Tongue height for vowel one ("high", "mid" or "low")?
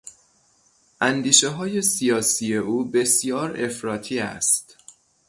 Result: low